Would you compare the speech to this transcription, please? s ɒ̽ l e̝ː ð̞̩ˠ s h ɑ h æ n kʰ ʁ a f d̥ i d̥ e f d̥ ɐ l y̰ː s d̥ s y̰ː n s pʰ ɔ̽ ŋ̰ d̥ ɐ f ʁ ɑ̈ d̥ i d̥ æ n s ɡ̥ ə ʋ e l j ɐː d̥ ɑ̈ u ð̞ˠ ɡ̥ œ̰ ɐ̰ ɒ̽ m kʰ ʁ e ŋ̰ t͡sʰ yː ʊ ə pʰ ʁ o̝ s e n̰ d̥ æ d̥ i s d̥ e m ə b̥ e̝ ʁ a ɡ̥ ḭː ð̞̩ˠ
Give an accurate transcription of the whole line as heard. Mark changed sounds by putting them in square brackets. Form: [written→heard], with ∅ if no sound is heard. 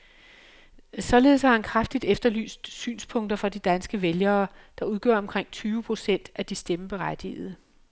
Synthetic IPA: s ɒ̽ l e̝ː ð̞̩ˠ s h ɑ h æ n kʰ ʁ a f d̥ i d̥ e f d̥ ɐ l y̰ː s d̥ s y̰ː n s pʰ ɔ̽ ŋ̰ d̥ ɐ f ʁ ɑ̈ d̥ i d̥ æ n s ɡ̥ ə ʋ e l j ɐː d̥ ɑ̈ u ð̞ˠ ɡ̥ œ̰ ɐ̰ ɒ̽ m kʰ ʁ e ŋ̰ t͡sʰ yː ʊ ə pʰ ʁ o̝ s e n̰ d̥ æ d̥ i s d̥ e m ə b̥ e̝ ʁ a [ɡ̥→d̥] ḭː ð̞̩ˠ